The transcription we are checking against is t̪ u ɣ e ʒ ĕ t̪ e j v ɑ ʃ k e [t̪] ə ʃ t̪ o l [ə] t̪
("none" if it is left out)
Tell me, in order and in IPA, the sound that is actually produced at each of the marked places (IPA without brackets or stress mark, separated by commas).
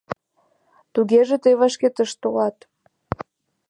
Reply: t̪, ɑ